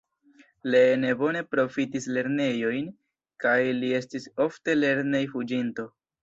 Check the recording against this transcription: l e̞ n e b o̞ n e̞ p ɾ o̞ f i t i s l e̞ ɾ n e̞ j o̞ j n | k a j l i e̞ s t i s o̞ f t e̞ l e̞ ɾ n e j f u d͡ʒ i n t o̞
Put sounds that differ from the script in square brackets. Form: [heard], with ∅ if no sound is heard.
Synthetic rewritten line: l e̞ n e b o̞ n e̞ p ɾ o̞ f i t i s l e̞ ɾ n e̞ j o̞ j n | k a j l i e̞ s t i s o̞ f t e̞ l e̞ ɾ n e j f u d͡ʒ i n t o̞